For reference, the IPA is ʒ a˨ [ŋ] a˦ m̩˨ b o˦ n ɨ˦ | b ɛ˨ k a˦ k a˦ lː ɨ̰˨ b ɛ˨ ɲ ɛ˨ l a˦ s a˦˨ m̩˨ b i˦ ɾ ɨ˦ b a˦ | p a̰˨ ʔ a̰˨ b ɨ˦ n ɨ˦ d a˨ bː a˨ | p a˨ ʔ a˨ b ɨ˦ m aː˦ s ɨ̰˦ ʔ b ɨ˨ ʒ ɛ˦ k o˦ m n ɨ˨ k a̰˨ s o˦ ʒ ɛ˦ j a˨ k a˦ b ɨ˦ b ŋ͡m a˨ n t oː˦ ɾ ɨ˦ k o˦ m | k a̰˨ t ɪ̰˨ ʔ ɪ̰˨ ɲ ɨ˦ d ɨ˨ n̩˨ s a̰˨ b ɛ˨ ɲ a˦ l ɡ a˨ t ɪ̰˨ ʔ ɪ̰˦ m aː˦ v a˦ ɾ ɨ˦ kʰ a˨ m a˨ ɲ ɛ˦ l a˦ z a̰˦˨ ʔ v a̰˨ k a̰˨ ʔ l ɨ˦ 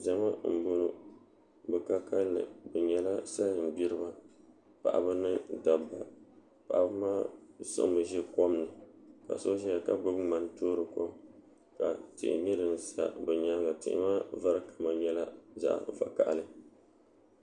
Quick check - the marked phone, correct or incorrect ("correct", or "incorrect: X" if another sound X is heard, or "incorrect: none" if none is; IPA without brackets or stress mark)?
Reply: incorrect: m